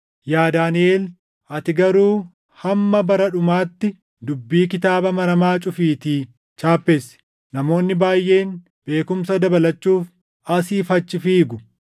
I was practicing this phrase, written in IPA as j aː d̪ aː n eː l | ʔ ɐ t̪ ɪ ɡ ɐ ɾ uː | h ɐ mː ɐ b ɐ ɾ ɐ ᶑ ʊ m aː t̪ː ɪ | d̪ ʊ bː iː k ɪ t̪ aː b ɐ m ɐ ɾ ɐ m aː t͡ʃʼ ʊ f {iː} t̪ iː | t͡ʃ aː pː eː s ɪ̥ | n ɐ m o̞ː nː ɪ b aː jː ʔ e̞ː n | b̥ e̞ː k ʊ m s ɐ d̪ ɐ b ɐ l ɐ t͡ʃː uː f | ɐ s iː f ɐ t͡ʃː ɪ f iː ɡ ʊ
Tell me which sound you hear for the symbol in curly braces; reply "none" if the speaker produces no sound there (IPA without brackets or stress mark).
iː